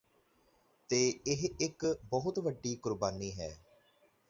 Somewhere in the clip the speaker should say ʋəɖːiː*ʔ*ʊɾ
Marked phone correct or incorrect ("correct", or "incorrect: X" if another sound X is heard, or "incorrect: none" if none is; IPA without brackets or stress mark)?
incorrect: k